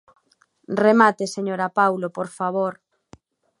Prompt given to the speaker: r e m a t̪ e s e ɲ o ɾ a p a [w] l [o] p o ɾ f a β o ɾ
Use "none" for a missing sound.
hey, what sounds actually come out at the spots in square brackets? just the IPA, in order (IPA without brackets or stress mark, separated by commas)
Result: w, o